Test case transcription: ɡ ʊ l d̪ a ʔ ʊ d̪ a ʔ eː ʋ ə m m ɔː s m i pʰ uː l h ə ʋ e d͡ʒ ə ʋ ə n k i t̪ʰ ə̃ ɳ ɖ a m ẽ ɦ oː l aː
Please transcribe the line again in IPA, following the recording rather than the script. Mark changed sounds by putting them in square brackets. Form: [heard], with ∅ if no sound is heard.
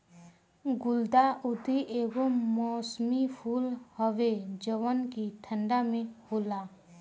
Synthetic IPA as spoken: ɡ ʊ l d̪ a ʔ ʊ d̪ [i] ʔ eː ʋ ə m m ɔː s m i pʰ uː l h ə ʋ e d͡ʒ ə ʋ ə n k i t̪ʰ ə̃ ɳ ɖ a m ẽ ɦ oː l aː